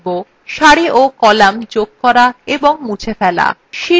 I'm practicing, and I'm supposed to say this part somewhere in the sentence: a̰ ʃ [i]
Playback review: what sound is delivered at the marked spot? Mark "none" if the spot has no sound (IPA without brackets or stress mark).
i